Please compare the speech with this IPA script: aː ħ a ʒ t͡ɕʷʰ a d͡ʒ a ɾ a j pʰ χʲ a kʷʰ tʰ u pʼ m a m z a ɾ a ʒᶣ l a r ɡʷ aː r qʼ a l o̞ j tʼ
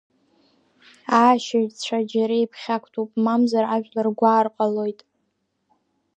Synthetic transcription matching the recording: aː ʃ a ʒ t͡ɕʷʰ a d͡ʒ a ɾ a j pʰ χʲ a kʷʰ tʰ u pʼ m a m z a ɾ a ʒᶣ l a r ɡʷ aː r qʼ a l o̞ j tʼ